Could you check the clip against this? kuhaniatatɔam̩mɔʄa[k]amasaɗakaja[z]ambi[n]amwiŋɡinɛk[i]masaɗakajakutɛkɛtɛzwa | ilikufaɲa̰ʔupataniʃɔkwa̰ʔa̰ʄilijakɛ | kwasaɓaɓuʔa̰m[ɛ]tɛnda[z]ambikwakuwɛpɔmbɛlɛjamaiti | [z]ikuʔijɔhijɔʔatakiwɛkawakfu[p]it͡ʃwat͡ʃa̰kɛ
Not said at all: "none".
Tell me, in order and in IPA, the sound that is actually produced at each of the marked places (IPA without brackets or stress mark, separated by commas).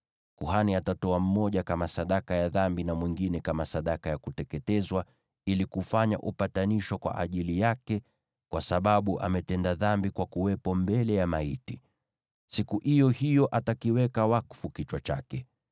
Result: k, ð, n, a, ɛ, ð, s, k